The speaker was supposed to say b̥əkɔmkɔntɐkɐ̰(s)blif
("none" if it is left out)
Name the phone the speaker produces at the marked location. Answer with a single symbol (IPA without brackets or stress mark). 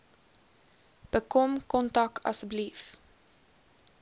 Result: s